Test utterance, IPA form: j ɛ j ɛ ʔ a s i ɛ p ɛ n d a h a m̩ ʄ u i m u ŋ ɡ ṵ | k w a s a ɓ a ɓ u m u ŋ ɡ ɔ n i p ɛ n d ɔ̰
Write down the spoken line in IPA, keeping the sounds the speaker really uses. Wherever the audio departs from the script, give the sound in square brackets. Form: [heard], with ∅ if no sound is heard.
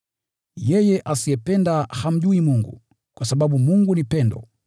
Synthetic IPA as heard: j ɛ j ɛ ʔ a s i ɛ p ɛ n d a h a m̩ ʄ u i m u ŋ ɡ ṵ | k w a s a ɓ a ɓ u m u ŋ ɡ [u] n i p ɛ n d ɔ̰